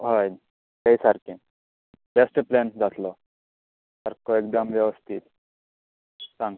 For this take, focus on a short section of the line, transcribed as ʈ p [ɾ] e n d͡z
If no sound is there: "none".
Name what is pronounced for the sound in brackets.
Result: l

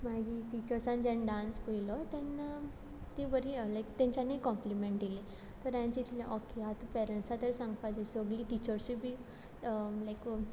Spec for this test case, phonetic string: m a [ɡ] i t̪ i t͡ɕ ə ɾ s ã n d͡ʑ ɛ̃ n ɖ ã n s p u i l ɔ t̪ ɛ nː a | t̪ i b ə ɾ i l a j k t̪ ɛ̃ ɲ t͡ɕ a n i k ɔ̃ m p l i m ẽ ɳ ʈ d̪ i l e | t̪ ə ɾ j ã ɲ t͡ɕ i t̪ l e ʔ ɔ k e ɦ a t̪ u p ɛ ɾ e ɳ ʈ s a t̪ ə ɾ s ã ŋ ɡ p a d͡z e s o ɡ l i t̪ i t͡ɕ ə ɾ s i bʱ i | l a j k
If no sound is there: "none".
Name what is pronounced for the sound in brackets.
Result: ɡ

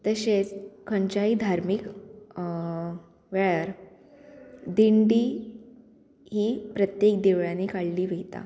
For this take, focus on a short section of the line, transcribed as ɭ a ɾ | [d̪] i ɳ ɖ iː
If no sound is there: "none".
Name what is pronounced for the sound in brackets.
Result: d̪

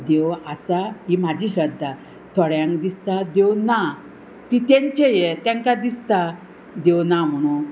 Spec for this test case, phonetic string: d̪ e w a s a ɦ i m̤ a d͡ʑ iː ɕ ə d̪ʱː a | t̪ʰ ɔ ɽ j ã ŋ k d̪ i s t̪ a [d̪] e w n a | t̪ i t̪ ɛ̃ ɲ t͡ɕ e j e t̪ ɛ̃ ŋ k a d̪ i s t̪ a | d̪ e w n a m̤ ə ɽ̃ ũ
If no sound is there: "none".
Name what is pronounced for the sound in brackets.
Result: d̪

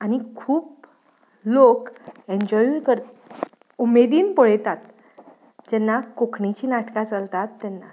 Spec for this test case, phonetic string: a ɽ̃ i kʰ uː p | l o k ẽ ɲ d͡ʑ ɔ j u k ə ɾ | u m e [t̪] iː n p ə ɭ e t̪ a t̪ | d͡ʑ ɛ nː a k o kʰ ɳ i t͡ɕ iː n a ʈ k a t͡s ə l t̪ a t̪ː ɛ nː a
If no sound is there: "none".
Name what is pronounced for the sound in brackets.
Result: d̪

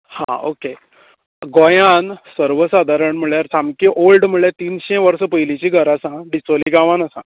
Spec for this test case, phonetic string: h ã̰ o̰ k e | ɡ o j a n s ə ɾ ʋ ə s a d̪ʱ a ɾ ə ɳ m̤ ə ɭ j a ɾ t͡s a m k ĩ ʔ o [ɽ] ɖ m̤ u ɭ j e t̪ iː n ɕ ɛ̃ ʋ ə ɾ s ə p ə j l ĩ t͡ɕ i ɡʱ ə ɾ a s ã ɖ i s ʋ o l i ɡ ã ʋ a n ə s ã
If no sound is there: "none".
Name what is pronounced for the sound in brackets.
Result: l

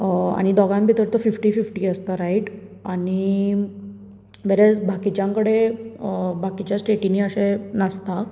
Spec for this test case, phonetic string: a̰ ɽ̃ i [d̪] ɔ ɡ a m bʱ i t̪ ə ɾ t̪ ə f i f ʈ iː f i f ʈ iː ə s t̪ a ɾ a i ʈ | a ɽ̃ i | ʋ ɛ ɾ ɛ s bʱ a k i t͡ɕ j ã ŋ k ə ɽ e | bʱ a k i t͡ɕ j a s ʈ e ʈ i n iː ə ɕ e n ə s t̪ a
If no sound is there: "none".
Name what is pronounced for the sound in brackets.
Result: d̪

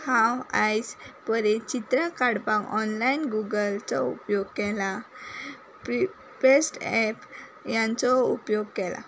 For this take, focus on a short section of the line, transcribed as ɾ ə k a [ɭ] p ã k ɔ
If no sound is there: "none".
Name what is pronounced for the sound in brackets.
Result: ɽ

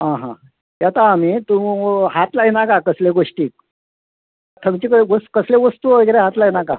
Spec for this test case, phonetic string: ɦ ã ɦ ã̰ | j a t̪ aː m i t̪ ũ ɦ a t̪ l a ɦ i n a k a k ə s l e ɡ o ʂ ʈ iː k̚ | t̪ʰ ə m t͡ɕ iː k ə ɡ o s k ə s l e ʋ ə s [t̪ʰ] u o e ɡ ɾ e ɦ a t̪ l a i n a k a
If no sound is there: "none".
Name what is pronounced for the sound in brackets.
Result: t̪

